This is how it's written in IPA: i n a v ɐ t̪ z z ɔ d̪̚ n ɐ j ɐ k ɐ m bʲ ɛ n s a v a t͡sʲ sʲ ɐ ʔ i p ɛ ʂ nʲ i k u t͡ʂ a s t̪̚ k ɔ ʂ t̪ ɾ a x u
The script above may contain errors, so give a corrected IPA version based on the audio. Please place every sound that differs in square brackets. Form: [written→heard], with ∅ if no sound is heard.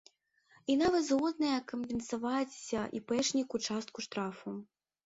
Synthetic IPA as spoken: i n a v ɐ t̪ z [z→ɣ] ɔ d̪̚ n ɐ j ɐ k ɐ m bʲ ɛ n s a v a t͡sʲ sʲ ɐ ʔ i p ɛ ʂ nʲ i k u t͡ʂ a s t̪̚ k [ɔ→u] ʂ t̪ ɾ a [x→f] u